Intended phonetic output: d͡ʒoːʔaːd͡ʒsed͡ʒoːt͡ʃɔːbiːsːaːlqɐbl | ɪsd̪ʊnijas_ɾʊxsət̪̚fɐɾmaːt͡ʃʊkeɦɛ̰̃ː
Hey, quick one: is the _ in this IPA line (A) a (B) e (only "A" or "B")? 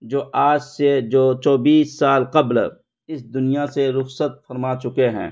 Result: B